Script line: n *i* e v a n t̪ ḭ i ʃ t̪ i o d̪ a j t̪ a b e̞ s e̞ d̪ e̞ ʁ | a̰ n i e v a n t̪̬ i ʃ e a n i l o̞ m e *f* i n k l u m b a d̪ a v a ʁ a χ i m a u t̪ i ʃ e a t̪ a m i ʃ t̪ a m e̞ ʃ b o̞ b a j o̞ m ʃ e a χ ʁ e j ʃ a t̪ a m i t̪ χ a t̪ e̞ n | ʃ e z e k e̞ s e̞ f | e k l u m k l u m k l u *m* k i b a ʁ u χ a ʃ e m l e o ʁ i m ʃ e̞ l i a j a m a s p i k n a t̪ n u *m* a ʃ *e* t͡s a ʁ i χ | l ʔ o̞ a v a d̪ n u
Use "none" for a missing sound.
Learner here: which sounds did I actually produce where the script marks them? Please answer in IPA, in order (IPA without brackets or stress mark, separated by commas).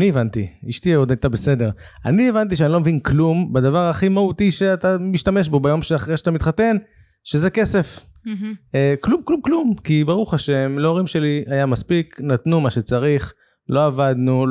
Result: i, v, m, m, e